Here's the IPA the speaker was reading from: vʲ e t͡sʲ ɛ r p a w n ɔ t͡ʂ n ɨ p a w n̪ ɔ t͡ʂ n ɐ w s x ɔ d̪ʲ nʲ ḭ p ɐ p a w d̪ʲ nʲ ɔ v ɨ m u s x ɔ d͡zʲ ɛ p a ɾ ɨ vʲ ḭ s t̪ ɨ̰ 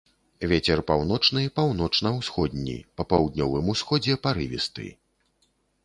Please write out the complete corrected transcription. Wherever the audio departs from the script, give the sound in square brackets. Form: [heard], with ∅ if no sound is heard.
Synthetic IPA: vʲ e t͡sʲ ɛ r p a w n ɔ t͡ʂ n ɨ p a w n̪ ɔ t͡ʂ n ɐ w s x ɔ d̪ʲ nʲ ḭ p ɐ p a w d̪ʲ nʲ ɔ v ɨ m u s x ɔ d͡zʲ ɛ p a ɾ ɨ vʲ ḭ s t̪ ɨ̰